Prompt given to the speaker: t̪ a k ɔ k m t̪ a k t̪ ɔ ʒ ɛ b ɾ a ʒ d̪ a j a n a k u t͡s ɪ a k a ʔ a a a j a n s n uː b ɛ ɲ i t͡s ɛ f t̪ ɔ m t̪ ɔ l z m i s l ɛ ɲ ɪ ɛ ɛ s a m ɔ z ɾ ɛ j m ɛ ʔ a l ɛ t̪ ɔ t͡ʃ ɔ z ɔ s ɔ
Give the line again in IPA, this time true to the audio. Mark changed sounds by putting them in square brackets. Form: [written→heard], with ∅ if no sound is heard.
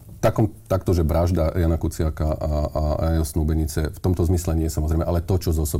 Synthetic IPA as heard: t̪ a k ɔ [k→∅] m t̪ a k t̪ ɔ ʒ ɛ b ɾ a ʒ d̪ a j a n a k u t͡s ɪ a k a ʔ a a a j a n s n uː b ɛ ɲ i t͡s ɛ f t̪ ɔ m t̪ ɔ [l→∅] z m i s l ɛ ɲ ɪ ɛ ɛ s a m ɔ z ɾ ɛ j m ɛ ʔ a l ɛ t̪ ɔ t͡ʃ ɔ z ɔ s ɔ